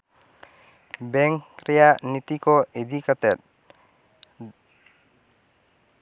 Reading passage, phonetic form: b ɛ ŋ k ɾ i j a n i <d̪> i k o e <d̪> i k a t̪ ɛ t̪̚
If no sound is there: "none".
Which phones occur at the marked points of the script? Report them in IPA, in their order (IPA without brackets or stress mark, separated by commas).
t̪, d̪